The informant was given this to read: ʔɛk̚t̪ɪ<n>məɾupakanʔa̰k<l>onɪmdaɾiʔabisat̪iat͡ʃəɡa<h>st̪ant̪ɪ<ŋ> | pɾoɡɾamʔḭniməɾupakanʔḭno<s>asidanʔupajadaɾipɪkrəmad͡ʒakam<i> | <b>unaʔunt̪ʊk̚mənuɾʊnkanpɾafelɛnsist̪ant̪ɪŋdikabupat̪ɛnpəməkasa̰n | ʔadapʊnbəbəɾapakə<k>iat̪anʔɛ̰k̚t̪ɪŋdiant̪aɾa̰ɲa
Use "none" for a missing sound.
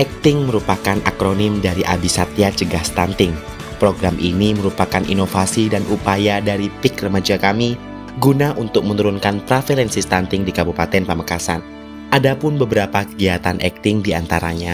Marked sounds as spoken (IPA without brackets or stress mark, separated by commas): ŋ, ɾ, h, ŋ, f, i, ɡ, ɡ